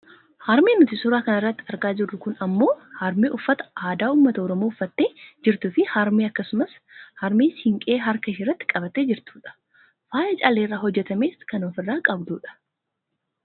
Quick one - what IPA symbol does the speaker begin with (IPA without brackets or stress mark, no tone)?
h